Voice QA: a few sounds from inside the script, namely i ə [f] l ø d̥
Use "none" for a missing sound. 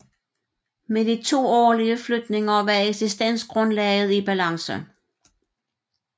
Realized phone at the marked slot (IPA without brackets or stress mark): f